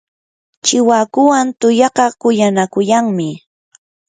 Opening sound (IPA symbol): t͡ʃ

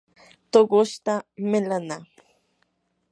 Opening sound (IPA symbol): t̪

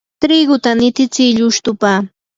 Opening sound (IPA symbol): t̪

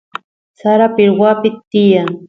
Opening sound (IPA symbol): s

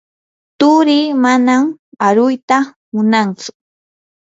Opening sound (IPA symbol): t̪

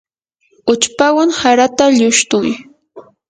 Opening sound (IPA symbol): ʊ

